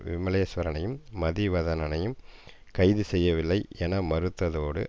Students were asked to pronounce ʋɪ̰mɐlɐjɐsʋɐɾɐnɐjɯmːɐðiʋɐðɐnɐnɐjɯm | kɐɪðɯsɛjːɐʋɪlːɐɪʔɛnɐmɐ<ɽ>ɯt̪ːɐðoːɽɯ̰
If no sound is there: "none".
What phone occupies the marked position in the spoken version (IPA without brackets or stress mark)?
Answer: ɾ